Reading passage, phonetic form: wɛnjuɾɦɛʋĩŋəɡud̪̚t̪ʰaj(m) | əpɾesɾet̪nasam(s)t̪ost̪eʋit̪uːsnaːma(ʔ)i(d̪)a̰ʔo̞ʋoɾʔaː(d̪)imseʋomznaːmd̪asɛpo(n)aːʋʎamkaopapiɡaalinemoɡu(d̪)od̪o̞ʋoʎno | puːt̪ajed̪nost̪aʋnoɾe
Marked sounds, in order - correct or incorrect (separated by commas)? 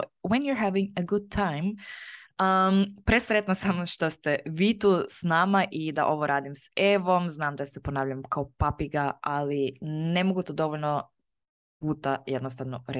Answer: correct, incorrect, correct, correct, correct, correct, incorrect